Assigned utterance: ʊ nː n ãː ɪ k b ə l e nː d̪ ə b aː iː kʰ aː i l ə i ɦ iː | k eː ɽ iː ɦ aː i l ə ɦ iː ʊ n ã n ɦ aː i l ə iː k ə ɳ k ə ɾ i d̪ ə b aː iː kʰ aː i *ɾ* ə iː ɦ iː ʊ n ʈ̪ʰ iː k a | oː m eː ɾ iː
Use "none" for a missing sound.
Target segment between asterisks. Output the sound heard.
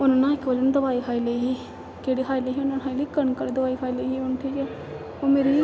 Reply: l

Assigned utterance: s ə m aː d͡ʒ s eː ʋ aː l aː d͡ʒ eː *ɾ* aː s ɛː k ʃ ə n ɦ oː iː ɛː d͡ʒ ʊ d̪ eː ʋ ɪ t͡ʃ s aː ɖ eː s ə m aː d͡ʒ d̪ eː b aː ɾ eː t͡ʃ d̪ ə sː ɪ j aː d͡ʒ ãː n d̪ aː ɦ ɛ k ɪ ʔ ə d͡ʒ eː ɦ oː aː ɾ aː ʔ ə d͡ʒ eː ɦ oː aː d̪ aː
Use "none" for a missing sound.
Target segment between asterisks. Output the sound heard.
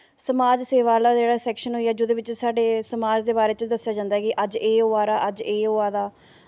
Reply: ɽ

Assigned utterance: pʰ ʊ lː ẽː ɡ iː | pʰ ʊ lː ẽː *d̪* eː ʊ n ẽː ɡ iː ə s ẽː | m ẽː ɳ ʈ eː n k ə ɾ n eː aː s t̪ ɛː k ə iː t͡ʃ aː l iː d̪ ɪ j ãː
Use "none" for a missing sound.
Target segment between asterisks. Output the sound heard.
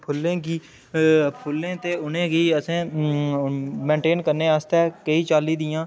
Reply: t̪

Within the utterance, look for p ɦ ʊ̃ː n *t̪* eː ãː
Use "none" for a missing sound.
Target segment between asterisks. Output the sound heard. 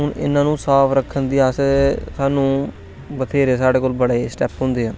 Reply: d̪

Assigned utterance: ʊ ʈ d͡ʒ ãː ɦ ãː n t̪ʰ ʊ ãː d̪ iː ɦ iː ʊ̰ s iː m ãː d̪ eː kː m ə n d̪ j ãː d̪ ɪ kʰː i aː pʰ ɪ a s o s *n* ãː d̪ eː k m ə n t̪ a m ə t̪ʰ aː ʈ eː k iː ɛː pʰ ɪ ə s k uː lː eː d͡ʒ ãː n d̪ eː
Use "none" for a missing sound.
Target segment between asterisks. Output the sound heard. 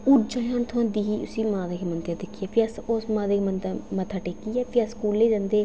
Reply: m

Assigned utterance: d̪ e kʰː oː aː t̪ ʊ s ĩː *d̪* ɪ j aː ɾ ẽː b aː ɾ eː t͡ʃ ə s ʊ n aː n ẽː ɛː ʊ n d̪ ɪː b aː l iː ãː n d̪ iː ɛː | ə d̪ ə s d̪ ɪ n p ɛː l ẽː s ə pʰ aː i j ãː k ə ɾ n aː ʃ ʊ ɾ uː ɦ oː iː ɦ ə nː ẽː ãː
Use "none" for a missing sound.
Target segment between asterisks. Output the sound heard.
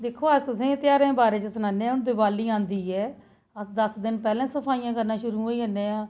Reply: t̪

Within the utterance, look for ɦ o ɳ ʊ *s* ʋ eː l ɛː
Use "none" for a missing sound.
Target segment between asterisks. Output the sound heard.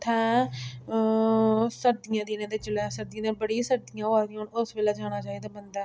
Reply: s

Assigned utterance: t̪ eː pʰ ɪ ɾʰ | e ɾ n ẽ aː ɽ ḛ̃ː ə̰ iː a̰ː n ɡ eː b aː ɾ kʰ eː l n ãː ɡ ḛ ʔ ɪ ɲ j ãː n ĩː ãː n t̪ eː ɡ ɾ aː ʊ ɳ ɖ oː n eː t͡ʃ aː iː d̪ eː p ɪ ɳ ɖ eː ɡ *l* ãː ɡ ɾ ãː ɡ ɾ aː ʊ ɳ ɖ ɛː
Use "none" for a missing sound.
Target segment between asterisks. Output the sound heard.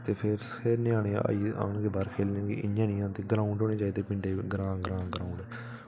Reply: ɾ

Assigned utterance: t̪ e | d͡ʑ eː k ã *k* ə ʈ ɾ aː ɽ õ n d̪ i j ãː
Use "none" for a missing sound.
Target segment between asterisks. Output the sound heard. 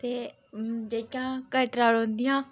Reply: k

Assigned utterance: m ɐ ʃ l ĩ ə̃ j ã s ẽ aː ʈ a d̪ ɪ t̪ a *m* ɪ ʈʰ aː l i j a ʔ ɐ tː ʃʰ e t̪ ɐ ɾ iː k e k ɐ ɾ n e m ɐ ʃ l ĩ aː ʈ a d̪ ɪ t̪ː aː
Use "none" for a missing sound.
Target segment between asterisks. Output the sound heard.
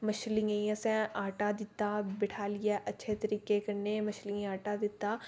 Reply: b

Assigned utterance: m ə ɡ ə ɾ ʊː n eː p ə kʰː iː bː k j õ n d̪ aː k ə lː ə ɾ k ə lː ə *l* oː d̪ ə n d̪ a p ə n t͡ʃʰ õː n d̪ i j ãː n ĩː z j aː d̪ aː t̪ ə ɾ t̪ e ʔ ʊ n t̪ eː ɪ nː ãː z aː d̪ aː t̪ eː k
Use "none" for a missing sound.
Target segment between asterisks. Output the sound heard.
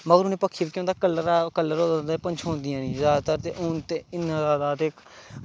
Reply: ɾ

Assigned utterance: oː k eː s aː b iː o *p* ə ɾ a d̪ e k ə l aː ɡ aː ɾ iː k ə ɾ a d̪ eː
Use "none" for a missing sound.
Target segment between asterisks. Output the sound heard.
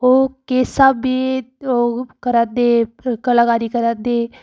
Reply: k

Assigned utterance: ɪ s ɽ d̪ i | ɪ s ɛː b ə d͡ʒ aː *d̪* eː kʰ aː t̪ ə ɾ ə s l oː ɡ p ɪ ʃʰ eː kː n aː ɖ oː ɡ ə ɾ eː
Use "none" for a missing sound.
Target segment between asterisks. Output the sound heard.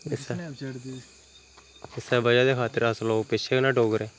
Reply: d̪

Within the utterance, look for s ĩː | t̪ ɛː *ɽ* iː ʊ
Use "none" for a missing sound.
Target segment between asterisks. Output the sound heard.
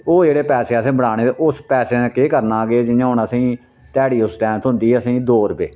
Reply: ɽ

